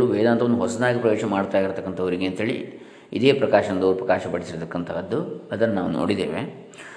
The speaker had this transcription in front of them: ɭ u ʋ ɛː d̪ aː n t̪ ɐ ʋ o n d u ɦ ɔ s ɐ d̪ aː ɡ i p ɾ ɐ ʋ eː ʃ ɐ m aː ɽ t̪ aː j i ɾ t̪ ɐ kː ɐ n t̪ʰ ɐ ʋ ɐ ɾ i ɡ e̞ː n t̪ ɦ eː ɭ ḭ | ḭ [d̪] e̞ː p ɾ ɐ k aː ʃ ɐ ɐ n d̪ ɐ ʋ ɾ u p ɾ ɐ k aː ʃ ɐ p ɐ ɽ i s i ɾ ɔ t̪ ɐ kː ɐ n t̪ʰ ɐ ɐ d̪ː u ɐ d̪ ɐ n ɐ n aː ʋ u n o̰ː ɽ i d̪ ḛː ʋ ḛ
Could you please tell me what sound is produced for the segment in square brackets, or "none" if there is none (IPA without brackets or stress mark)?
d̪